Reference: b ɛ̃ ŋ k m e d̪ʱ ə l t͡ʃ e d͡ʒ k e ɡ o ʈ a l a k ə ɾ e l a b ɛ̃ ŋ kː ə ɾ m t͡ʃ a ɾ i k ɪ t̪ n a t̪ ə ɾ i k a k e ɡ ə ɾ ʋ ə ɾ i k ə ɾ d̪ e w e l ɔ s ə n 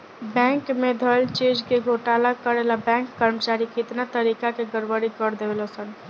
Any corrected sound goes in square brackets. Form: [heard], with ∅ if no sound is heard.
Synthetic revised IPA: b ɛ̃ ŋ k m e d̪ʱ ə l t͡ʃ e d͡ʒ k e ɡ o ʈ a l a k ə ɾ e l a b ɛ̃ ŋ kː ə ɾ m t͡ʃ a ɾ i k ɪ t̪ n a t̪ ə ɾ i k a k e ɡ ə ɾ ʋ ə ɾ i k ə ɾ d̪ e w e l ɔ s ə n